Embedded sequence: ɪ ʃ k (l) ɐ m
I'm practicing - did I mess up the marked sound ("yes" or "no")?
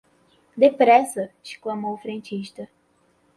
no